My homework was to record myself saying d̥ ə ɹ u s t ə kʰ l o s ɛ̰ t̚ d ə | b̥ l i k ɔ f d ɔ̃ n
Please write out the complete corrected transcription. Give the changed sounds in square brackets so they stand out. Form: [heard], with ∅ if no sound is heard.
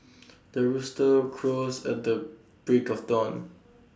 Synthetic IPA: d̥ ə ɹ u s t ə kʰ [ɹ] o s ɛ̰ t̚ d ə | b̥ [ɹ] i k ɔ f d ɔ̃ n